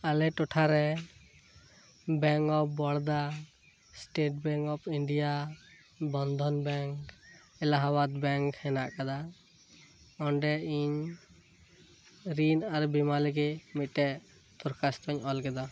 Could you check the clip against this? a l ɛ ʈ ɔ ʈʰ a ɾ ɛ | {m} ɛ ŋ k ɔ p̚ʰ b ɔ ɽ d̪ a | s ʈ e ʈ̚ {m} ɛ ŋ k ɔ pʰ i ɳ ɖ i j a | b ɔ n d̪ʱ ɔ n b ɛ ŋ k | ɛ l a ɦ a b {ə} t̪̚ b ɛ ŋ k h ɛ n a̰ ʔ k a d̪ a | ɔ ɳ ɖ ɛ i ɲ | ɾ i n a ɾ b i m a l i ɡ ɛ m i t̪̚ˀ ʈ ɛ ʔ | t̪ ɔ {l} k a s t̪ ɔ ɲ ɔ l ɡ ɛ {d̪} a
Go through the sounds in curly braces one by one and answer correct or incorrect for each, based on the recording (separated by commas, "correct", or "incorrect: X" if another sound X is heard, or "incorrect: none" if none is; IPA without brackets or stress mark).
incorrect: b, incorrect: b, incorrect: a, incorrect: ɾ, correct